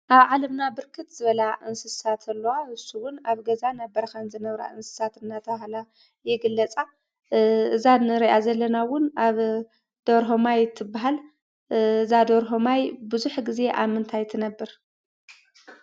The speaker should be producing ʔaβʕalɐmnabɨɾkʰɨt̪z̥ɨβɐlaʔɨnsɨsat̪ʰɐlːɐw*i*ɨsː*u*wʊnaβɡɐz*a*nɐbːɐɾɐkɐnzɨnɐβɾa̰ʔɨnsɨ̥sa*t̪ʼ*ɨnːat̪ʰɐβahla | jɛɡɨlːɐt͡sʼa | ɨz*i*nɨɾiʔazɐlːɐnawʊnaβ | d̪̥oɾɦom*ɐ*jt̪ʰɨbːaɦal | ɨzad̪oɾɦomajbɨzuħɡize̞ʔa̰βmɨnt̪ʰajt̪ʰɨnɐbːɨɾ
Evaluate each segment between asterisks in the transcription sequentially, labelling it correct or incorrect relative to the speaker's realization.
incorrect: a, correct, correct, incorrect: t̪, incorrect: a, incorrect: a

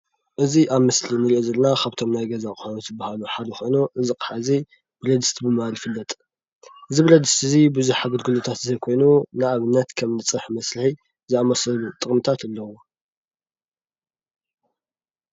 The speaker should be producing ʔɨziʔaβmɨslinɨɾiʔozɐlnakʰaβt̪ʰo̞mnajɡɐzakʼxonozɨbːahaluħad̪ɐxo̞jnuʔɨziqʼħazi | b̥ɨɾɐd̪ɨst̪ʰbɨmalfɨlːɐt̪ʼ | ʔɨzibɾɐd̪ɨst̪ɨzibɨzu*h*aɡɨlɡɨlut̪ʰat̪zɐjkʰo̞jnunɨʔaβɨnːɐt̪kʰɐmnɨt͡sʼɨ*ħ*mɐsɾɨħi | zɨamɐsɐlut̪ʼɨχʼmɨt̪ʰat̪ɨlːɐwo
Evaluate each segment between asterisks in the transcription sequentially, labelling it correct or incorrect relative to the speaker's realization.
incorrect: ħ, correct

